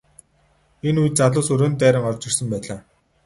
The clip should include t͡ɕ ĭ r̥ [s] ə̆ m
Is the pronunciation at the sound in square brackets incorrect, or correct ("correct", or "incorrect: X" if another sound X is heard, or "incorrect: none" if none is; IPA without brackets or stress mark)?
correct